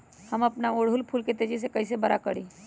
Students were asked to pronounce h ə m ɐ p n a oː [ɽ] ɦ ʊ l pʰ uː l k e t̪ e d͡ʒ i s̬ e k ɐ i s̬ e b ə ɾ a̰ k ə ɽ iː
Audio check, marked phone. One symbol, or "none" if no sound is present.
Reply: ɽ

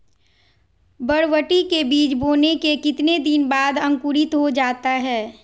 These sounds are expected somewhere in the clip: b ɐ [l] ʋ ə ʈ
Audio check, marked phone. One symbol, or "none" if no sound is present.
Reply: ɽ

